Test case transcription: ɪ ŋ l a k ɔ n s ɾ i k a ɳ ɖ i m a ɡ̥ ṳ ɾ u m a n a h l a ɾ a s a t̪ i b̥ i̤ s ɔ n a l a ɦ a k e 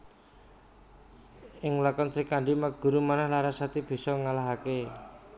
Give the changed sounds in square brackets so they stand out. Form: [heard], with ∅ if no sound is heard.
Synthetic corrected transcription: ɪ ŋ l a k ɔ n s ɾ i k a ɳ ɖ i m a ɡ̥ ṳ ɾ u m a n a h l a ɾ a s a t̪ i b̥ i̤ s ɔ [ŋ] a l a ɦ a k e